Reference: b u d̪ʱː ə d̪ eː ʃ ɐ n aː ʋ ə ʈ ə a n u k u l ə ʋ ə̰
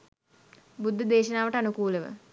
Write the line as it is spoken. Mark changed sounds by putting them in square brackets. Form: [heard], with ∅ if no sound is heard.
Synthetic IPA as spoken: b u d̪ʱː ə d̪ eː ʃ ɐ n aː ʋ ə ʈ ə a n u k [uː] l ə ʋ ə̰

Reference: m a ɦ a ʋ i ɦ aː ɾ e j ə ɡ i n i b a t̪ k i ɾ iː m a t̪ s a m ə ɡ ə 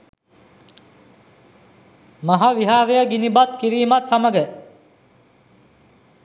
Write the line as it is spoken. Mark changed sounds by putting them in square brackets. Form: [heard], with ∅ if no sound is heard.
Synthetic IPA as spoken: m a ɦ a ʋ i ɦ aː ɾ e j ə ɡ i n i b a t̪ k i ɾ iː m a t̪ s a m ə ɡ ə

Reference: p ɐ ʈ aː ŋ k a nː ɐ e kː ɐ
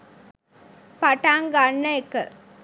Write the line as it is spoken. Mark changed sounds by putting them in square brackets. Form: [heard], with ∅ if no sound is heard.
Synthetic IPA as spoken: p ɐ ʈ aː ŋ [ɡ] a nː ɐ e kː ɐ

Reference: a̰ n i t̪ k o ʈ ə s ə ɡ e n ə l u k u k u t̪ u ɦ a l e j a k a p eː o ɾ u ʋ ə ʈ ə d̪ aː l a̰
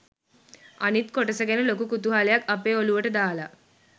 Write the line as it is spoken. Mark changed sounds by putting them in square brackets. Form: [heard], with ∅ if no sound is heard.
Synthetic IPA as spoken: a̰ n i t̪ k o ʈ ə s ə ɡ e n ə l [o] k u k u t̪ u ɦ a l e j a k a p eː o [l] u ʋ ə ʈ ə d̪ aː l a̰

